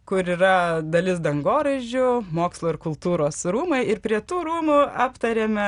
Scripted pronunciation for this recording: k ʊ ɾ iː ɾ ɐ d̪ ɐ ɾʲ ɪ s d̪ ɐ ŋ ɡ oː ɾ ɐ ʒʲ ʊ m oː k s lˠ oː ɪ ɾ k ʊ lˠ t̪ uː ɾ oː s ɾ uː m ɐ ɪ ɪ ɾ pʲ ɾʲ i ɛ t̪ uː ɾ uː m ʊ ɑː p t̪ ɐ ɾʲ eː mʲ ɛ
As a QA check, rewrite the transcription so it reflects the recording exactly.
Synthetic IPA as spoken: k ʊ ɾ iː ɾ ɐ d̪ ɐ lʲ ɪ s d̪ ɐ ŋ ɡ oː ɾ ɐ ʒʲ ʊ m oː k s lˠ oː ɪ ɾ k ʊ lˠ t̪ uː ɾ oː s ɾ uː m ɐ ɪ ɪ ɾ pʲ ɾʲ i ɛ t̪ uː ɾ uː m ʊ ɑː p t̪ ɐ ɾʲ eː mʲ ɛ